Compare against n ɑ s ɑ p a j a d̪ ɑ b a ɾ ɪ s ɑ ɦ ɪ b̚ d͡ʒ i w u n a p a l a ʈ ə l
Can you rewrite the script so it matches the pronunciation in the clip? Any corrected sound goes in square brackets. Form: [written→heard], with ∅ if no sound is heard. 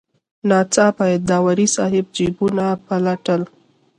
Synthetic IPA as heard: n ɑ [s→t͡s] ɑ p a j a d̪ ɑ [b→w] a ɾ [ɪ→i] s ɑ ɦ ɪ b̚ d͡ʒ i [w→b] u n a p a l a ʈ ə l